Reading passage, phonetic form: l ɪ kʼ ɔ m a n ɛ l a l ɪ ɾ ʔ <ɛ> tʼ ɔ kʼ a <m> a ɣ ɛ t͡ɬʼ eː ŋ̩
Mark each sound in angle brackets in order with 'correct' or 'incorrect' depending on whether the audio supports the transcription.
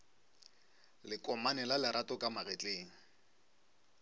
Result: incorrect: a, correct

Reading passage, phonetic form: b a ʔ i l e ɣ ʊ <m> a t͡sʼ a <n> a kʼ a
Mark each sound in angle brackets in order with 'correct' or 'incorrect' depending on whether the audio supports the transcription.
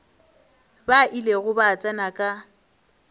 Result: incorrect: b, correct

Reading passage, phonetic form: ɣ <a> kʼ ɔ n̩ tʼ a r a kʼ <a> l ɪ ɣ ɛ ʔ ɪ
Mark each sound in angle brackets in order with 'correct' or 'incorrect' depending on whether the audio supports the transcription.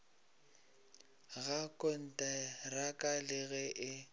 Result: correct, correct

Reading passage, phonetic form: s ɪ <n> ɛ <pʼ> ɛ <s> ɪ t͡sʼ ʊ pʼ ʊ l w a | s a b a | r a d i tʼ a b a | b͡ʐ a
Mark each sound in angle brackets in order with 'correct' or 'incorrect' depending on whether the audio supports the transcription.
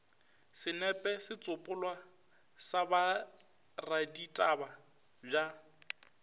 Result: correct, correct, correct

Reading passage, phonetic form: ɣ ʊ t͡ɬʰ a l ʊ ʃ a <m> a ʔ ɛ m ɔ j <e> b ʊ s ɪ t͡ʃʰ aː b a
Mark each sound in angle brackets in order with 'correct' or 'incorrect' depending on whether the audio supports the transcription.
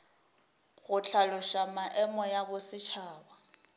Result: correct, incorrect: a

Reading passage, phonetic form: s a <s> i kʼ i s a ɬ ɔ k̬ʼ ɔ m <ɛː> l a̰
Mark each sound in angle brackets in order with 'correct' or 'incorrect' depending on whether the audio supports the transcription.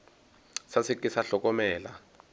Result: correct, correct

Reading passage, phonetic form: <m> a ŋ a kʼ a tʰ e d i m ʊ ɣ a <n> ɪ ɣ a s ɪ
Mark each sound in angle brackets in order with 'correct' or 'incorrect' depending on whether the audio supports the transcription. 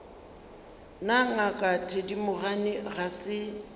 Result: incorrect: n, correct

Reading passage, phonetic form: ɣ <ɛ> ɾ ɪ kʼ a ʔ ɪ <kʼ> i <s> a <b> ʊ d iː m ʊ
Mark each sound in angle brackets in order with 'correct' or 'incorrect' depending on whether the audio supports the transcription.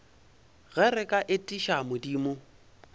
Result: correct, incorrect: tʼ, incorrect: ʃ, incorrect: m

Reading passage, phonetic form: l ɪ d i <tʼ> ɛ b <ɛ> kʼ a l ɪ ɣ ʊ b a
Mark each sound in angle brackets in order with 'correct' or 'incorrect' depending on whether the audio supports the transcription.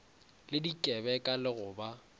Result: incorrect: kʼ, correct

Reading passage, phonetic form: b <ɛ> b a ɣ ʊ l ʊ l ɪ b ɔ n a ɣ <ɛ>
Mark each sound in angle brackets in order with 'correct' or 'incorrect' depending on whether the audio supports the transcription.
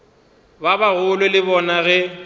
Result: incorrect: a, correct

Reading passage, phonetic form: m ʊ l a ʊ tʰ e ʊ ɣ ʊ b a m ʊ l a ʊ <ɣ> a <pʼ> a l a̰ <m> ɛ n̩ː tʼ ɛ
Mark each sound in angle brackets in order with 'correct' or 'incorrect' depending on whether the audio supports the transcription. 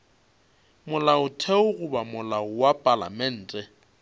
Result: incorrect: w, correct, correct

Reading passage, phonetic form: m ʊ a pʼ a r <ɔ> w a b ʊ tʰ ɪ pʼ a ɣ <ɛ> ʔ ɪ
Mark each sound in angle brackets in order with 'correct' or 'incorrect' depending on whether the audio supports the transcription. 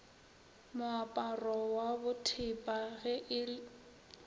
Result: correct, correct

